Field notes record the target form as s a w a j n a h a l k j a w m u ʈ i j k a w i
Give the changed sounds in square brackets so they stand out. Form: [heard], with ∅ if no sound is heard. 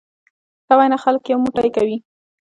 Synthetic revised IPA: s a w a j n a [x] a l k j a w m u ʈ [a] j k a w i